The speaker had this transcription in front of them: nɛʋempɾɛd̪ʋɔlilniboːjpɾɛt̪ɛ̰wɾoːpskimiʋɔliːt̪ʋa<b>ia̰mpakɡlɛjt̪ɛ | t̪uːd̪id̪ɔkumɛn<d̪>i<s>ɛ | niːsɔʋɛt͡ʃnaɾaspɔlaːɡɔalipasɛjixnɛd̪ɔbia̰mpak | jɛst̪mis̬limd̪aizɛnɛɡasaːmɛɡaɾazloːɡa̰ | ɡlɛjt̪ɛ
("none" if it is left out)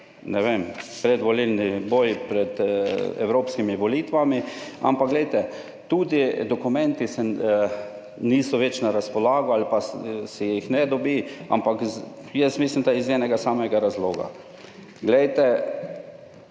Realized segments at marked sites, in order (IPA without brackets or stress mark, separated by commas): m, t̪, s